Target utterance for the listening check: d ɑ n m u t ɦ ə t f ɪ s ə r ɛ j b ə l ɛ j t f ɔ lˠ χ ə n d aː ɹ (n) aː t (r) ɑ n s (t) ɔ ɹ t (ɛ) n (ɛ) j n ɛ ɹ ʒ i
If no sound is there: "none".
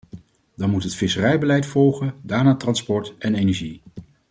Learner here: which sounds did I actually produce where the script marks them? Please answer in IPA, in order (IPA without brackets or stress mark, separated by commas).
n, r, p, ɛ, e